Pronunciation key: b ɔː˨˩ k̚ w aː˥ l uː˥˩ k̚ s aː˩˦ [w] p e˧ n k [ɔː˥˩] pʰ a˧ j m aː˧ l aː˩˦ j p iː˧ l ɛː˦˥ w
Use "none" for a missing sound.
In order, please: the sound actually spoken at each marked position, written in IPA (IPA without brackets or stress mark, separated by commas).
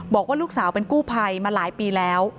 w, uː˥˩